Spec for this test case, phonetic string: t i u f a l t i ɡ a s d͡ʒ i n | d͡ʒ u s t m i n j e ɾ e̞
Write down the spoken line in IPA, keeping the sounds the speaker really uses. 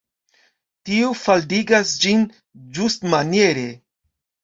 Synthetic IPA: t i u f a l d i ɡ a s d͡ʒ i n | d͡ʒ u s t m a n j e ɾ e̞

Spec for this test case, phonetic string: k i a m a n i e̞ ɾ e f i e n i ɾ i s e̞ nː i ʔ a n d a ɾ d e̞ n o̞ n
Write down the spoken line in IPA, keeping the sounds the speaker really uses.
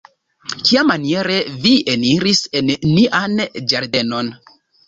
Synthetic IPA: k i a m a n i e̞ ɾ e v i e n i ɾ i s e̞ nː i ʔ a n d͡ʒ a ɾ d e̞ n o̞ n

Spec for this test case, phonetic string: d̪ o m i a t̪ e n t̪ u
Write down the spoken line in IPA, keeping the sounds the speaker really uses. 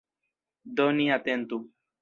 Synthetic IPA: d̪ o n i a t̪ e n t̪ u

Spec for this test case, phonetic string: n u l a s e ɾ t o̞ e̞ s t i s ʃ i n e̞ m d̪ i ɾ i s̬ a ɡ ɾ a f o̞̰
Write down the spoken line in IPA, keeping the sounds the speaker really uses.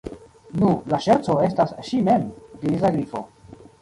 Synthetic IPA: n u l a ʃ e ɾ t͡s o̞ e̞ s t a s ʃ i m e̞ m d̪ i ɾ i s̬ a ɡ ɾ i f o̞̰

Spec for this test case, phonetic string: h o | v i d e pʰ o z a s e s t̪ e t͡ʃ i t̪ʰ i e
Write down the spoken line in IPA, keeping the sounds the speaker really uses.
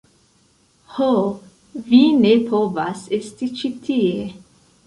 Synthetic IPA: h o | v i n e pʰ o v a s e s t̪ i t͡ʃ i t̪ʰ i e

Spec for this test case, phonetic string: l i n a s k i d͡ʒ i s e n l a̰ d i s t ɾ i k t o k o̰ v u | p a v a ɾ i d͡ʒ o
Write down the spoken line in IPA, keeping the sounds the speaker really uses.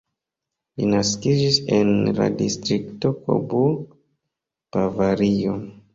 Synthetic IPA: l i n a s k i d͡ʒ i s e n l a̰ d i s t ɾ i k t o k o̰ b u | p a v a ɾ i o

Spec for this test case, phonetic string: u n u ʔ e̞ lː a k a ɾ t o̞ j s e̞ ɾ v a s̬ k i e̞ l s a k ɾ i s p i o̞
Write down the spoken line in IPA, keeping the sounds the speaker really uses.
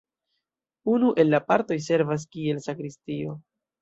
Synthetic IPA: u n u ʔ e̞ lː a p a ɾ t o̞ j s e̞ ɾ v a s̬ k i e̞ l s a k ɾ i s t i o̞

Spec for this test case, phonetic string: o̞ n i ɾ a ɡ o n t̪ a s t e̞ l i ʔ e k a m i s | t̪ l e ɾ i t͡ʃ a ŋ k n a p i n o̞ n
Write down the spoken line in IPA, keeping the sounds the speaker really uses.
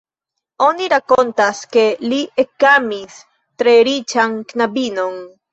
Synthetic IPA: o̞ n i ɾ a k o n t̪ a s k e̞ l i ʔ e k a m i s | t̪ ɾ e ɾ i t͡ʃ a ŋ k n a b i n o̞ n

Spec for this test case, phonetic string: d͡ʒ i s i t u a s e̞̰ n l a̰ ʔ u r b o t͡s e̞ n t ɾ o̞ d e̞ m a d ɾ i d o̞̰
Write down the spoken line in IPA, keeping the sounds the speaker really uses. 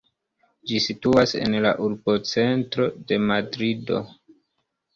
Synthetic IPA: d͡ʒ i s i t u a s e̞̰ n l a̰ ʔ u ɾ b o t͡s e̞ n t ɾ o̞ d e̞ m a d ɾ i d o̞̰

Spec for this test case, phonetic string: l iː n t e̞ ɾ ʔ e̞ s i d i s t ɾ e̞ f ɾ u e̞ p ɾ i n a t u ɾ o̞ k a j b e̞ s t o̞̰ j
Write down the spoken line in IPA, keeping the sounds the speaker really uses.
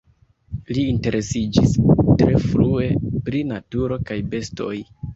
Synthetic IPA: l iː n t e̞ ɾ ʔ e̞ s i d͡ʒ i s t ɾ e̞ f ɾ u e̞ p ɾ i n a t u ɾ o̞ k a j b e̞ s t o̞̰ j

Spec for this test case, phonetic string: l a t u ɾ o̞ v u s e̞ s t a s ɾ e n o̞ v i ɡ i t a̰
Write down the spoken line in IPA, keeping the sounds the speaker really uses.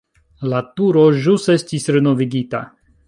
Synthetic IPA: l a t u ɾ o̞ ʒ u s e̞ s t i s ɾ e n o̞ v i ɡ i t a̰

